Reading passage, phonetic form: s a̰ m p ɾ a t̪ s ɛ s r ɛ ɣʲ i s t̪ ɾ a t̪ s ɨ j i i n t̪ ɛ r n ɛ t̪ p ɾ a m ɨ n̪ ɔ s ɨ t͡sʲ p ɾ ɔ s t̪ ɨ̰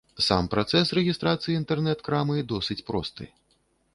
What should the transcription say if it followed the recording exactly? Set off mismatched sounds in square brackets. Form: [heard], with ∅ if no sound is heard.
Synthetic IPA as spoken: s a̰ m p ɾ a t̪ s ɛ s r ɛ ɣʲ i s t̪ ɾ a t̪ s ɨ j i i n t̪ ɛ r n ɛ t̪ [k] ɾ a m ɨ [d̪] ɔ s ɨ t͡sʲ p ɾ ɔ s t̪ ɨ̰